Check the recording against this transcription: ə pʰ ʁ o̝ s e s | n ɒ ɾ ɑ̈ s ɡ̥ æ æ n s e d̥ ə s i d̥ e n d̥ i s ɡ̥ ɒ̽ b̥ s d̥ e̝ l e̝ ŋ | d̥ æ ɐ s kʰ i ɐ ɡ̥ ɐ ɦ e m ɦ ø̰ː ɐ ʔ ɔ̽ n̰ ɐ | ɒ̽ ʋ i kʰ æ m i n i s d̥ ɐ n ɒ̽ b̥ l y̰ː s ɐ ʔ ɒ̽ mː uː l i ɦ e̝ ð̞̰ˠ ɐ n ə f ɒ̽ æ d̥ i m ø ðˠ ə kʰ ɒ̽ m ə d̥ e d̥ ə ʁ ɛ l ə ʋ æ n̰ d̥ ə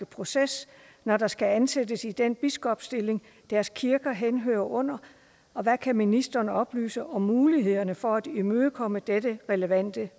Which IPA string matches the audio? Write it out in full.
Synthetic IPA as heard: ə pʰ ʁ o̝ s e s | n ɒ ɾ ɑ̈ s ɡ̥ æ æ n s e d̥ ə s i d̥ e n b̥ i s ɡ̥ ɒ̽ b̥ s d̥ e̝ l e̝ ŋ | d̥ æ ɐ s kʰ i ɐ ɡ̥ ɐ ɦ e n ɦ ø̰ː ɐ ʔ ɔ̽ n̰ ɐ | ɒ̽ ʋ æ kʰ æ m i n i s d̥ ɐ n ɒ̽ b̥ l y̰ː s ə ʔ ɒ̽ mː uː l i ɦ e̝ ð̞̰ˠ ɐ n ə f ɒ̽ æ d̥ i m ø ðˠ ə kʰ ɒ̽ m ə d̥ e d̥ ə ʁ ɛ l ə ʋ æ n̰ d̥ ə